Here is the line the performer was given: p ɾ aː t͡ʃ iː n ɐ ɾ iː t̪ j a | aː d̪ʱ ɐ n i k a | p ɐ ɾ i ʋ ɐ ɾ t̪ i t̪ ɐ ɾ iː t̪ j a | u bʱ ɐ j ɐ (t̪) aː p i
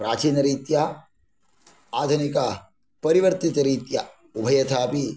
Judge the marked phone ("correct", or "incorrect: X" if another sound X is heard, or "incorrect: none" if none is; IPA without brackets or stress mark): incorrect: t̪ʰ